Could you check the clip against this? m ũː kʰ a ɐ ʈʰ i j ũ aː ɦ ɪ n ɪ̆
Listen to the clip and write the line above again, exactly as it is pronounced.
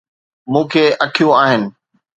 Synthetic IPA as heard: m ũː kʰ e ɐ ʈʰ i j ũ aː ɦ ɪ n ɪ̆